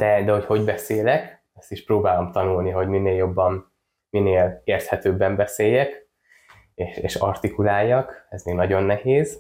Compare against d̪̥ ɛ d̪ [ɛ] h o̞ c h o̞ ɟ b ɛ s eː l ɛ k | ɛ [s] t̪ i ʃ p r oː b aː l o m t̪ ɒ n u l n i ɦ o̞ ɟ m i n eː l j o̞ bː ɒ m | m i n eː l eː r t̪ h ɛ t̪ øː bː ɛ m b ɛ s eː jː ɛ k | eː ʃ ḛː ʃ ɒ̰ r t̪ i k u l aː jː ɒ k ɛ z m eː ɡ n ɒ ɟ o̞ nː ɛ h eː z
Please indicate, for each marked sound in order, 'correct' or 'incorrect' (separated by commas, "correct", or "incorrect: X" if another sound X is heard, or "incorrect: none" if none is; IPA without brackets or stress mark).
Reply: correct, correct